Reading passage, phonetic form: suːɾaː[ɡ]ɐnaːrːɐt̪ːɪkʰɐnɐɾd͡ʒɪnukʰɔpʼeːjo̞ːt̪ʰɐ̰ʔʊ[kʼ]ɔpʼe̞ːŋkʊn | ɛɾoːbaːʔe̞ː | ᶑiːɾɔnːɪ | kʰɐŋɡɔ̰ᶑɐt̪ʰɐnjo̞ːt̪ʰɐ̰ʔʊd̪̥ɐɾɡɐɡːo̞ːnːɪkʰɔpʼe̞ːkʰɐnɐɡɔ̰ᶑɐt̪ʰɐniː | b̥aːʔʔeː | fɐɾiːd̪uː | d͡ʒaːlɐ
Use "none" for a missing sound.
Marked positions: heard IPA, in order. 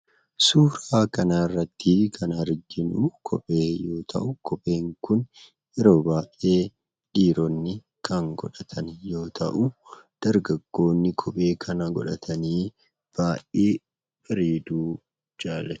k, k

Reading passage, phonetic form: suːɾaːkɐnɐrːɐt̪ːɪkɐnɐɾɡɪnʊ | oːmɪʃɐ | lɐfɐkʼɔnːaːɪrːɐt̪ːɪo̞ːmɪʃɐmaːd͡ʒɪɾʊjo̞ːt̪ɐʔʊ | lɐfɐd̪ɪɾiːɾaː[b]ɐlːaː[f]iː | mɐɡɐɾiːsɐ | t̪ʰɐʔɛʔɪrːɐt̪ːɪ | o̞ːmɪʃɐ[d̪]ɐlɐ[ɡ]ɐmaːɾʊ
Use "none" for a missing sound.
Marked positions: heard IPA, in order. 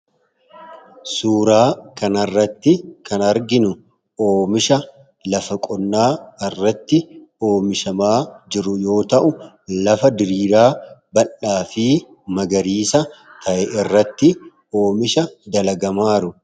b, f, d̪, ɡ

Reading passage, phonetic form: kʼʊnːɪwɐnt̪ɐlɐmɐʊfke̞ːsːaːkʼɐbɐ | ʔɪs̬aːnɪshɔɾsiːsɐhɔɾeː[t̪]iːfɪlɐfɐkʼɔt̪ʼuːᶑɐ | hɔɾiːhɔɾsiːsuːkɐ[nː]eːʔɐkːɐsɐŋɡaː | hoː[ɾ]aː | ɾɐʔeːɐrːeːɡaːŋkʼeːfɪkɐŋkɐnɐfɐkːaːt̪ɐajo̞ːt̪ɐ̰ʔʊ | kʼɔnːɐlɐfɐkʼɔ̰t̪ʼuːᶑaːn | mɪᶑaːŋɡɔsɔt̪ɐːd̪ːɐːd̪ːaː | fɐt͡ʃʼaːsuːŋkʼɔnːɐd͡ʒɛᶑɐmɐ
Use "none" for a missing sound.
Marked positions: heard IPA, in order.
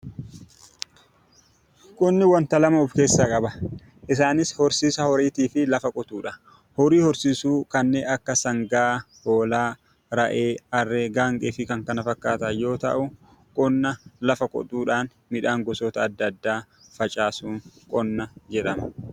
t̪, nː, l

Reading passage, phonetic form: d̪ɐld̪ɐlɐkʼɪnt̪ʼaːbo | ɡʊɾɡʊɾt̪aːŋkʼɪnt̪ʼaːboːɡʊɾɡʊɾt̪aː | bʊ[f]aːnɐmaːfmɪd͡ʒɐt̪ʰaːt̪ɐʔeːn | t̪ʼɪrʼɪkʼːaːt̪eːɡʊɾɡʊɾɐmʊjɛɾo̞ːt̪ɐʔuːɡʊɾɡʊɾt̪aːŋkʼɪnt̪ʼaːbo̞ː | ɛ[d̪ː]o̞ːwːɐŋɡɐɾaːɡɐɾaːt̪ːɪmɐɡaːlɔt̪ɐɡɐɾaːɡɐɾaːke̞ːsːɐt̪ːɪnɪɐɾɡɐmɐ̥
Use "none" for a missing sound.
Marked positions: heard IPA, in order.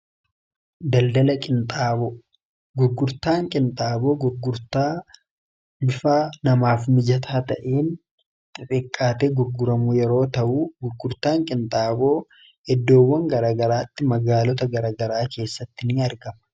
f, d̪ː

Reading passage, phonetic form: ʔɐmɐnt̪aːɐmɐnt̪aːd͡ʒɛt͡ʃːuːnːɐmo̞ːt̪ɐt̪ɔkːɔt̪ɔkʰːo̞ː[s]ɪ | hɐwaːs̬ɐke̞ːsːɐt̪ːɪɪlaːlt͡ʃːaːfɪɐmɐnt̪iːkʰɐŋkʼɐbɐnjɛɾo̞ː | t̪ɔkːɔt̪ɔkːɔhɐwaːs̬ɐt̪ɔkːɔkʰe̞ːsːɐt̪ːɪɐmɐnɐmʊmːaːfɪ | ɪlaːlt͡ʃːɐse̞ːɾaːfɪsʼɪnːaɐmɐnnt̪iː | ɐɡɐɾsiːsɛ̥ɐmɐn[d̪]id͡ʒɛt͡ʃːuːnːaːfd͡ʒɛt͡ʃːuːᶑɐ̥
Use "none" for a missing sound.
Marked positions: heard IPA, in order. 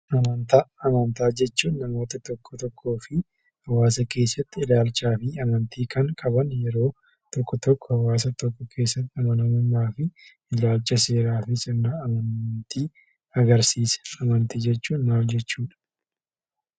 f, t̪

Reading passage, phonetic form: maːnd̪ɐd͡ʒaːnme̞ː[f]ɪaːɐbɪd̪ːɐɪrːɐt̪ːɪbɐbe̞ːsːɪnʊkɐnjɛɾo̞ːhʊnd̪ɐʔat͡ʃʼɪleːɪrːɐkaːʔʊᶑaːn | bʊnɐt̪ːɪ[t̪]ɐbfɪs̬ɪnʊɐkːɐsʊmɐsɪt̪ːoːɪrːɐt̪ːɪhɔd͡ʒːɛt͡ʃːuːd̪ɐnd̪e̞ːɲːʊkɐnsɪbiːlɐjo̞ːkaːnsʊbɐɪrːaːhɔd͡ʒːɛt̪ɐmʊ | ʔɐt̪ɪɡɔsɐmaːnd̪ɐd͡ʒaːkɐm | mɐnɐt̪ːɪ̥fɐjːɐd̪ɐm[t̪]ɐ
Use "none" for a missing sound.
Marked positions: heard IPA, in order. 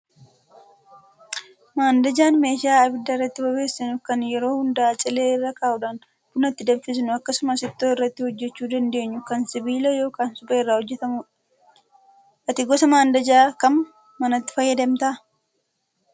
ʃ, d̪, t̪

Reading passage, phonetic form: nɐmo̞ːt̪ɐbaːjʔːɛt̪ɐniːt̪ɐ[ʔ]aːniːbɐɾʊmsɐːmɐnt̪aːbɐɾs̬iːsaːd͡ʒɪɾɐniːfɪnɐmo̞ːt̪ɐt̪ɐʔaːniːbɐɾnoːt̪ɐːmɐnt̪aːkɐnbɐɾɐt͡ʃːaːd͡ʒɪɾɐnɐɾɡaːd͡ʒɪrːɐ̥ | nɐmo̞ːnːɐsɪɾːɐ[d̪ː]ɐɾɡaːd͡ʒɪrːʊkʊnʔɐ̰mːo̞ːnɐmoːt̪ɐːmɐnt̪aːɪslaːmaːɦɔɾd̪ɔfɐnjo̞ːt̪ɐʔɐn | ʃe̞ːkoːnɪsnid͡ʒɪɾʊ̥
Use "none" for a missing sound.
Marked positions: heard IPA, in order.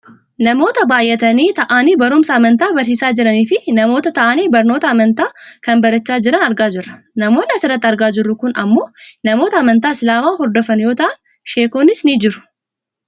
ʔ, t̪ː

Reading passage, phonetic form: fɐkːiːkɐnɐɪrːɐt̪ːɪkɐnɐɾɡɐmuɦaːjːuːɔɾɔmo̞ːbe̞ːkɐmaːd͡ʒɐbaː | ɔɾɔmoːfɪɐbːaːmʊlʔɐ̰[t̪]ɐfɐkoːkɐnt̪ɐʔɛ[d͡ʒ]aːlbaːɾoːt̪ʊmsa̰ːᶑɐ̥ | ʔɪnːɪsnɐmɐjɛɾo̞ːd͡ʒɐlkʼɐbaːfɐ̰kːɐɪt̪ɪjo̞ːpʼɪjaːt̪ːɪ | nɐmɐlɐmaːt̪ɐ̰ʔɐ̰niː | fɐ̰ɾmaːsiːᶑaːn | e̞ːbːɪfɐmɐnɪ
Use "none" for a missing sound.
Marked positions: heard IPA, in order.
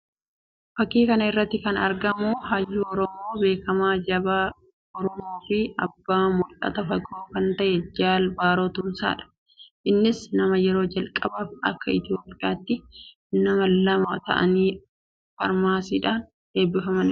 t̪, d͡ʒ

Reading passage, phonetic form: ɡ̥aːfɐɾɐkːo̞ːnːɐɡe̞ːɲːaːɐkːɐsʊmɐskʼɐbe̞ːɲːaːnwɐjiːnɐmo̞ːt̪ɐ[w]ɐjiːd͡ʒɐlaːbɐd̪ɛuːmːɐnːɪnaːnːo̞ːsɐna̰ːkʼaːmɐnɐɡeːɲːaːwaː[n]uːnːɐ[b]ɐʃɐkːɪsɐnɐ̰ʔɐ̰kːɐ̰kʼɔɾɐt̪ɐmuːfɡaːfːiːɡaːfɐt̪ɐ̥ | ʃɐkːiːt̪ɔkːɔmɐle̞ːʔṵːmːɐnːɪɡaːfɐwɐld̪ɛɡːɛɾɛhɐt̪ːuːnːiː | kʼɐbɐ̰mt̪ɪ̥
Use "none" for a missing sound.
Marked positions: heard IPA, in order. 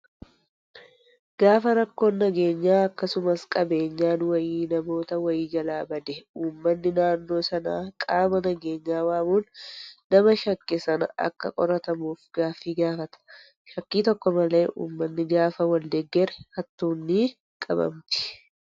w, m, m

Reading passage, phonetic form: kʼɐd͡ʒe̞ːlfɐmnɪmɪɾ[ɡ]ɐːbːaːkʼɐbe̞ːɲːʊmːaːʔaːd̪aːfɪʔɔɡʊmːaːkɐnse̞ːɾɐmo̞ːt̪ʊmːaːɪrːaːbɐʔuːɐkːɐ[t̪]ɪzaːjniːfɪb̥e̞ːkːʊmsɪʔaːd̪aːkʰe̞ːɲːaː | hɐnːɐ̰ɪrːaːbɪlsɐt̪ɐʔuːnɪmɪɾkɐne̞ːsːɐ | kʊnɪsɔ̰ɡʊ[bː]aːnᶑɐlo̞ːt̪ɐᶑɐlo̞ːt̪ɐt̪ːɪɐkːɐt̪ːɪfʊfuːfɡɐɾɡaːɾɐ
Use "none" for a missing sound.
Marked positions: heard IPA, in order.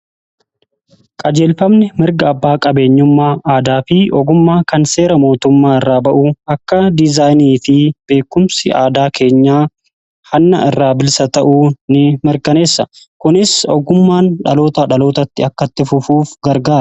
ɡ, d̪, mː

